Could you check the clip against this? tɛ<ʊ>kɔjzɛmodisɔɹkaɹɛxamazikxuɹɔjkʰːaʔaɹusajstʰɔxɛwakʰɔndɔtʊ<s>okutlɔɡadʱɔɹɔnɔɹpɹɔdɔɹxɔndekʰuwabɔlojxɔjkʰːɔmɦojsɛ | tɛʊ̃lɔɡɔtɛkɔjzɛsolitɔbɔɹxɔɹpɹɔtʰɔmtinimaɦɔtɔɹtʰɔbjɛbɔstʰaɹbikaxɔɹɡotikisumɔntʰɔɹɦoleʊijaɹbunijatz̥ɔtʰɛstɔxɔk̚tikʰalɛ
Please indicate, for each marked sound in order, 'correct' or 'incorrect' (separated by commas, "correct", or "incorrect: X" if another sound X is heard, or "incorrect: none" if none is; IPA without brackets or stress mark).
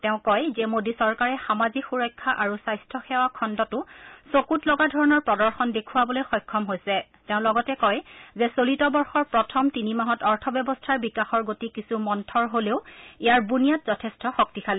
incorrect: ʊ̃, correct